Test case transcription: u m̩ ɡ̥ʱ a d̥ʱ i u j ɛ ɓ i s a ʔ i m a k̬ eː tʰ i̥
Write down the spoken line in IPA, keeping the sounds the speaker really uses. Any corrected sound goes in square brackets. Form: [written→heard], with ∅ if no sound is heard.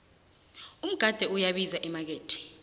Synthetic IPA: u m̩ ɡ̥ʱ a d̥ʱ [i→ɛ] u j [ɛ→a] ɓ i [s→z] a ʔ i m a k̬ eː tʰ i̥